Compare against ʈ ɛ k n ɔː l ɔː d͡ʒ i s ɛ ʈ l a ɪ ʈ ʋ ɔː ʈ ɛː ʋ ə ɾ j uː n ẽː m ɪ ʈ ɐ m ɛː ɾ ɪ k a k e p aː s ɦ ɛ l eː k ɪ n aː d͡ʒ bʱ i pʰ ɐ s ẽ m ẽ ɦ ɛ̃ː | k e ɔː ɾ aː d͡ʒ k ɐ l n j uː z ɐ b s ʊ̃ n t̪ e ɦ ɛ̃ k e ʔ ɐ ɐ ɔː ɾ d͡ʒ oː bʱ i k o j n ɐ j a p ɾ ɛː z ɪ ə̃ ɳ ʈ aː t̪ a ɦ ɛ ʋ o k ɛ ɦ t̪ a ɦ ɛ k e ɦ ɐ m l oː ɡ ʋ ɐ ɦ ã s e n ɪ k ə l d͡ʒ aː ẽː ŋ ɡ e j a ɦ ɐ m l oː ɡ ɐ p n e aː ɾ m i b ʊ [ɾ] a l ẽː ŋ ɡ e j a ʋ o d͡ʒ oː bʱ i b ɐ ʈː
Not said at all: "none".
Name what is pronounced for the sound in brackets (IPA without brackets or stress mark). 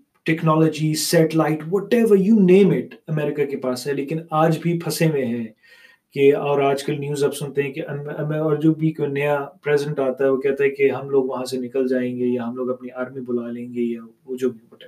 l